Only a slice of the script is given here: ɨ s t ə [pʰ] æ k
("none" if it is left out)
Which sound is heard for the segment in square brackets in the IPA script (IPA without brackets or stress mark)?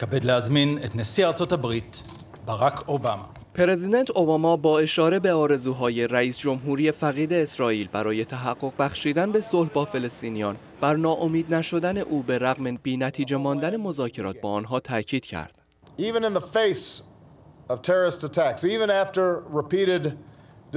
tʰ